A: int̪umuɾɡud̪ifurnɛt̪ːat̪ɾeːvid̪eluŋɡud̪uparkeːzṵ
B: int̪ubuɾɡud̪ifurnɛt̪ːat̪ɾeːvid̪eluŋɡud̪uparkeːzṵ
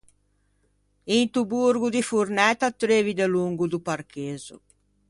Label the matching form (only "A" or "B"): B